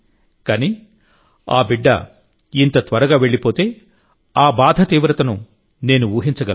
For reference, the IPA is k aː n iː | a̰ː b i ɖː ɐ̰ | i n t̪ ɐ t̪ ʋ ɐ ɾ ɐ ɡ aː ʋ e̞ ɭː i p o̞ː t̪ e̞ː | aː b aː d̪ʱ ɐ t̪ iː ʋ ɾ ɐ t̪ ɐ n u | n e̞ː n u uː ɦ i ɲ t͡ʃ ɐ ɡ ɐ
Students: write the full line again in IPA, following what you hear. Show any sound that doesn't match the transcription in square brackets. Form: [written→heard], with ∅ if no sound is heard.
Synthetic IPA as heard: k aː n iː | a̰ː b i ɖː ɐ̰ | i n t̪ ɐ t̪ ʋ ɐ ɾ ɐ ɡ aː ʋ e̞ ɭː i p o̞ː t̪ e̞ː | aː b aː d̪ʱ ɐ t̪ iː ʋ ɾ ɐ t̪ ɐ n u | n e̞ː n u uː ɦ i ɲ t͡ʃ ɐ ɡ ɐ